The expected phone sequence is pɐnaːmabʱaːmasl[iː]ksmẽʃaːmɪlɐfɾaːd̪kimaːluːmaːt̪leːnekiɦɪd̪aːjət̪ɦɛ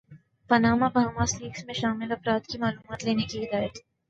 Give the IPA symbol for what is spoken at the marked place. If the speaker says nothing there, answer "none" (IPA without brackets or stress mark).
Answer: iː